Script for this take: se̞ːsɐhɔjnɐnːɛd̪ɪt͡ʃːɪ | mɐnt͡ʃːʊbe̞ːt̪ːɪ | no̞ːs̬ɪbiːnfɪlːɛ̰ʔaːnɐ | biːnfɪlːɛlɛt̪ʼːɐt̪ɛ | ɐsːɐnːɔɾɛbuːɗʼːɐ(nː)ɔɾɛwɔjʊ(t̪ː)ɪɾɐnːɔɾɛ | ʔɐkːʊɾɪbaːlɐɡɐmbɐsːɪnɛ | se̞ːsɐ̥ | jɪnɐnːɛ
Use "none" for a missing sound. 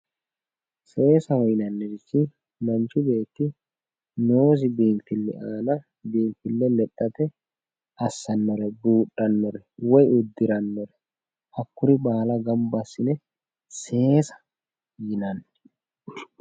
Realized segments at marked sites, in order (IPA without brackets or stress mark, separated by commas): nː, d̪ː